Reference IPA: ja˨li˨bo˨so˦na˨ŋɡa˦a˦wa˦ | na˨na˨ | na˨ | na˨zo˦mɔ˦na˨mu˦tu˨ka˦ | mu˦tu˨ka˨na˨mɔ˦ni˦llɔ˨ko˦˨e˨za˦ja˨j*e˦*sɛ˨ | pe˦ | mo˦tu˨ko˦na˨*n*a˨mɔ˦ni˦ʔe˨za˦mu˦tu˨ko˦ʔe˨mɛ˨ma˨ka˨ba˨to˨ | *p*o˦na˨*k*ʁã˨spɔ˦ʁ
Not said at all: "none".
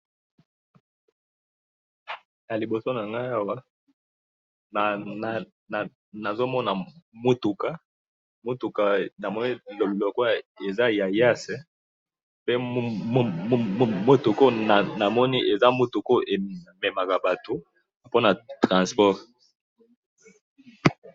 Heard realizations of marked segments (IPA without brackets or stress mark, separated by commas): a˦, n, p, t